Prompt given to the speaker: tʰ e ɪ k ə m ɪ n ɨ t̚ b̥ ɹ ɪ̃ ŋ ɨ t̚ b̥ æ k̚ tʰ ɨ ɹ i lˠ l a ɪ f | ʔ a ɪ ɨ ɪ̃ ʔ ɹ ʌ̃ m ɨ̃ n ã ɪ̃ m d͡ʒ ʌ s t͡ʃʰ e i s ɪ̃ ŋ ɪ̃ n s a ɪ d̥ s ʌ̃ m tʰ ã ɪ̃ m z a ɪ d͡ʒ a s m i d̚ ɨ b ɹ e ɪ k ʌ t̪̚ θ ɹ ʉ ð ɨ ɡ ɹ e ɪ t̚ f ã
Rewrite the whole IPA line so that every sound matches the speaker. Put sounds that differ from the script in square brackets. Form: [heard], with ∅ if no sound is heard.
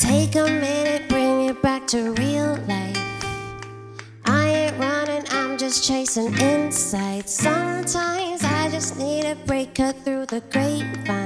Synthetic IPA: tʰ e ɪ k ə m ɪ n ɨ t̚ b̥ ɹ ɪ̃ ŋ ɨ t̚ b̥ æ k̚ tʰ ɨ ɹ i lˠ l a ɪ f | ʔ a ɪ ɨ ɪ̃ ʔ ɹ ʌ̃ [n] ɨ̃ n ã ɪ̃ m d͡ʒ ʌ s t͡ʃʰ e [ɪ] s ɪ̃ ŋ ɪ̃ n s a ɪ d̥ s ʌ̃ m tʰ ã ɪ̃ m z a ɪ d͡ʒ [ʌ] s [n] i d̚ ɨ b ɹ e ɪ k ʌ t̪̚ θ ɹ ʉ ð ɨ ɡ ɹ e ɪ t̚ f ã